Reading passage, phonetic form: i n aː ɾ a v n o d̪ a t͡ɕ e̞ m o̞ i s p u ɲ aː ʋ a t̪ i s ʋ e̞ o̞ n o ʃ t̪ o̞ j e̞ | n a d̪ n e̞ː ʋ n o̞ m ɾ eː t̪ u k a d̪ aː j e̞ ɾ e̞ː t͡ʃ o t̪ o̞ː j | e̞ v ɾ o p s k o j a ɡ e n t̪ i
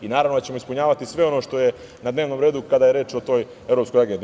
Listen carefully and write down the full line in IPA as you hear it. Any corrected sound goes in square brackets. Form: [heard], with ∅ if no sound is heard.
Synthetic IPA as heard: i n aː ɾ a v n o d̪ a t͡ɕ e̞ m o̞ i s p u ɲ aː ʋ a t̪ i s ʋ e̞ o̞ n o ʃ t̪ o̞ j e̞ | n a d̪ n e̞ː ʋ n o̞ m ɾ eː [d̪] u k a d̪ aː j e̞ ɾ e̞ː t͡ʃ o t̪ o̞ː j | e̞ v ɾ o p s k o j a ɡ e n [d̪] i